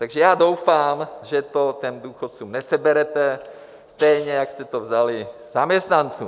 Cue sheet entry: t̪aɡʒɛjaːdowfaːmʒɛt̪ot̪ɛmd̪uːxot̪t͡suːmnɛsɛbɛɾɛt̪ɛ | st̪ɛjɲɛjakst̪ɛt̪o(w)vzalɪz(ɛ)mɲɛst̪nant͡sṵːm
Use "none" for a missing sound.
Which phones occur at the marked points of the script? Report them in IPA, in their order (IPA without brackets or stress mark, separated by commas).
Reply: none, a